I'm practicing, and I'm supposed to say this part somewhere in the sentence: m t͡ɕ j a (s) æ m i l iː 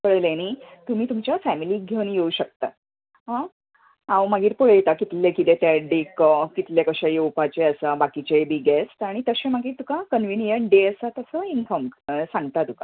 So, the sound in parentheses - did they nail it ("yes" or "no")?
no